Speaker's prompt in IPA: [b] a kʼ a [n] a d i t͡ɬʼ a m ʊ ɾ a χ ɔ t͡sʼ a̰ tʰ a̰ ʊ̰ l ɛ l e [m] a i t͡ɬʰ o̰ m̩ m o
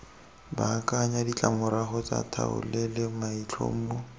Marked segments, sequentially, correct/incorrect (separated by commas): correct, incorrect, correct